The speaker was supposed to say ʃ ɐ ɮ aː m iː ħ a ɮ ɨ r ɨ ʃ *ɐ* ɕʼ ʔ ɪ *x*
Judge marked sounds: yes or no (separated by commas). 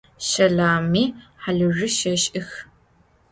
yes, yes